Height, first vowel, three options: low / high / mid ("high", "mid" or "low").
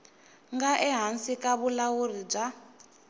low